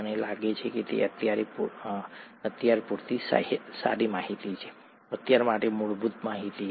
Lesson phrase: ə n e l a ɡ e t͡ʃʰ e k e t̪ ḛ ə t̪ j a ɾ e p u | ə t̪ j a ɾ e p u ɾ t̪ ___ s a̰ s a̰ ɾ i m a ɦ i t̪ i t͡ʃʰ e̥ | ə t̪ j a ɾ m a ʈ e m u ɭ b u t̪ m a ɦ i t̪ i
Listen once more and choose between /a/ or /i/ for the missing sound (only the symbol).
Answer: i